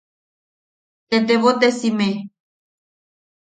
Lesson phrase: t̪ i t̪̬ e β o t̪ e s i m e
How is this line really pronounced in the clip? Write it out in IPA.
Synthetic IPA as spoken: t̪ e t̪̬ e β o t̪ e s i m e